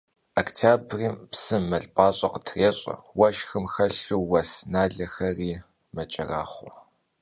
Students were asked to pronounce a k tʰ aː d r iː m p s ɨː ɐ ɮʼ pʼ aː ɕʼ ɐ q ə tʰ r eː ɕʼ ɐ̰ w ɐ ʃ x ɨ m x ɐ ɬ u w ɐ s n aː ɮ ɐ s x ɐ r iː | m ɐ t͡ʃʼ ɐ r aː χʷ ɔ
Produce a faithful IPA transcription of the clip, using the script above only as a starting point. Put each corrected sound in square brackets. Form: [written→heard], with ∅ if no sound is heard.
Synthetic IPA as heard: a k tʰ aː [d→b] r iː m p s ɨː ɐ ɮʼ pʼ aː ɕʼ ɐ q ə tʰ r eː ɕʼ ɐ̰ w ɐ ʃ x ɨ m x ɐ ɬ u w ɐ s n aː ɮ ɐ [s→∅] x ɐ r iː | m ɐ t͡ʃʼ ɐ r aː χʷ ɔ